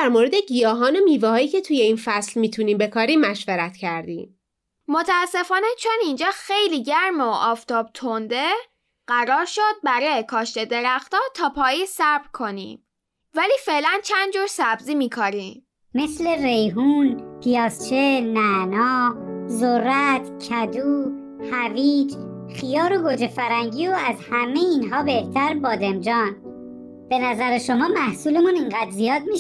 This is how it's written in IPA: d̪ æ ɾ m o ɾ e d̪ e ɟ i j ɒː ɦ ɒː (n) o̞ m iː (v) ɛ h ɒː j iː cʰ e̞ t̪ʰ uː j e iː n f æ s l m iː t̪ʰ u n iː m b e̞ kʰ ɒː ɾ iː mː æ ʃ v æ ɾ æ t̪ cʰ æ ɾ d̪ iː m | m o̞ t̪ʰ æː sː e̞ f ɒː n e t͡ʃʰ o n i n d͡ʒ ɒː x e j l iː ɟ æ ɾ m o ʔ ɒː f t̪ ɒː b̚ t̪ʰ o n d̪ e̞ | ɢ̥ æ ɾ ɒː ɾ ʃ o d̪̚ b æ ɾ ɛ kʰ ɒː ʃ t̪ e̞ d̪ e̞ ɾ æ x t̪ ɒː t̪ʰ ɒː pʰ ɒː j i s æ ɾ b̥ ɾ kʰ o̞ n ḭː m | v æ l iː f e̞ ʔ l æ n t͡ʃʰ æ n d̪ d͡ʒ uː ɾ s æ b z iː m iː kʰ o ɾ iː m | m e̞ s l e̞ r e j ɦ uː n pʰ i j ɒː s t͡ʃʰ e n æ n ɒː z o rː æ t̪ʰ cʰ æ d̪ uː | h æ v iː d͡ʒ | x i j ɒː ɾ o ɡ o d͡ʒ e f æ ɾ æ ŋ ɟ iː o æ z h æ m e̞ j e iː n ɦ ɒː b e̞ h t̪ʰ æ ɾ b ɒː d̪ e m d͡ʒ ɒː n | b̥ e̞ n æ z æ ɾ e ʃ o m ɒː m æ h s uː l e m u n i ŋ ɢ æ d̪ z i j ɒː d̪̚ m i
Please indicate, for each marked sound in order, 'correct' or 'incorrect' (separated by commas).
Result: correct, correct